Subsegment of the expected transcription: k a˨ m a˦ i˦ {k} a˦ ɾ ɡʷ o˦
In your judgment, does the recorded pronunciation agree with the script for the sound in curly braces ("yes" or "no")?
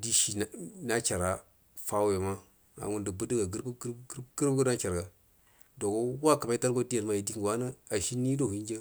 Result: no